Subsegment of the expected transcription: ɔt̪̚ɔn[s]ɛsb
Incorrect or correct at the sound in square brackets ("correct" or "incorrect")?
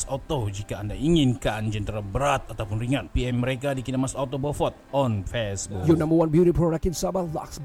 incorrect